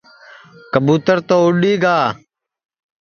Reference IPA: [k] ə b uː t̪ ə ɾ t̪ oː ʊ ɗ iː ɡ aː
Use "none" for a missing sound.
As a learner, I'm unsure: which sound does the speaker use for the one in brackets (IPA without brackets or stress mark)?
k